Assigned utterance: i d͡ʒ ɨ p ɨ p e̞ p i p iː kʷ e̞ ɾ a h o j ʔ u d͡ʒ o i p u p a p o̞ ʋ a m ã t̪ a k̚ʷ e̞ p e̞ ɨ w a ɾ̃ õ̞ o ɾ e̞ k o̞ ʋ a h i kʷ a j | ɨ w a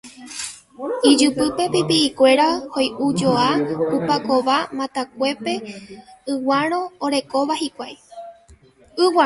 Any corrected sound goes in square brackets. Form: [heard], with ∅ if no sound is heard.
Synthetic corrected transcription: i d͡ʒ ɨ p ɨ p e̞ p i p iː kʷ e̞ ɾ a h o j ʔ u d͡ʒ o [a] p u p a [k] o̞ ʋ a m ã t̪ a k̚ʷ e̞ p e̞ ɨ w a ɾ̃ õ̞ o ɾ e̞ k o̞ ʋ a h i kʷ a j | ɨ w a